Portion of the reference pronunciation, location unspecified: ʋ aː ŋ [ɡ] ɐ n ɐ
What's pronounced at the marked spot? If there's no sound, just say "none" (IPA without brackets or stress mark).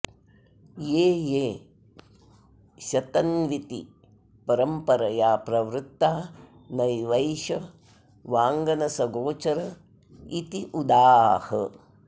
ɡ